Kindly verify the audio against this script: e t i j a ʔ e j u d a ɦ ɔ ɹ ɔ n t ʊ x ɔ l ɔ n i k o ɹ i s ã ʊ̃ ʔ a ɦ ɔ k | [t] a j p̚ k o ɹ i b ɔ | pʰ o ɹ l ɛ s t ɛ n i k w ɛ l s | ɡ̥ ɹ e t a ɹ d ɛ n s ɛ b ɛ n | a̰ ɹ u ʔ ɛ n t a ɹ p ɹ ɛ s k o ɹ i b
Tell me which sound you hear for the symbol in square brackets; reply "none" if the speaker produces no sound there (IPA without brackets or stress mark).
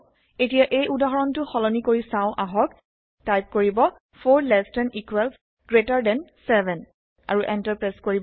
t